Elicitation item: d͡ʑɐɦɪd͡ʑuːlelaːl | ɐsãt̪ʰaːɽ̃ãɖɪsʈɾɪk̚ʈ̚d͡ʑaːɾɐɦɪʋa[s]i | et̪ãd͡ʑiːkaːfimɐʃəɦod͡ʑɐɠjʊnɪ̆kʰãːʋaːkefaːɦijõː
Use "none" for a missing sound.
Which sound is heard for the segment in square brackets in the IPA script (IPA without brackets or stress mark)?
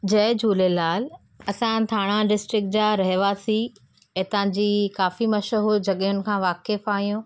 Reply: s